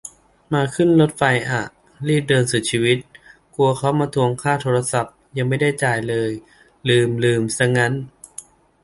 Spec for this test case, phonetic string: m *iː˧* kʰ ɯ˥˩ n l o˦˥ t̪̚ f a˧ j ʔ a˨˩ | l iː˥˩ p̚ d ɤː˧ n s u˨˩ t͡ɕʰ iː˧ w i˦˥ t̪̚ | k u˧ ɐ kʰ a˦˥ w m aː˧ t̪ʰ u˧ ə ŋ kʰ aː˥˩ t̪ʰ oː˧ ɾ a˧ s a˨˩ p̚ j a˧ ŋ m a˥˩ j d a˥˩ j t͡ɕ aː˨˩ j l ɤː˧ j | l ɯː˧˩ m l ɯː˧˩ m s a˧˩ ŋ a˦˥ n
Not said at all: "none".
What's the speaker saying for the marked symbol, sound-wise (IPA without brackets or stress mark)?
aː˧